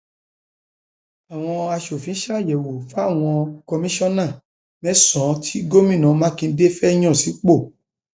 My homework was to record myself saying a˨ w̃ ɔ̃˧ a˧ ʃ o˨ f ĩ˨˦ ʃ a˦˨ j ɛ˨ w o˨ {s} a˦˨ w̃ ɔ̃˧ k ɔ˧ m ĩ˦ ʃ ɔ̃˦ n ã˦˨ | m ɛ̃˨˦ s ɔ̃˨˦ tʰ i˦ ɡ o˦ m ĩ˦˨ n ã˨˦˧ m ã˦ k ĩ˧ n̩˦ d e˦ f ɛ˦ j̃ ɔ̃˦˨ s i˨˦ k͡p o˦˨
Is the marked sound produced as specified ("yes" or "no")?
no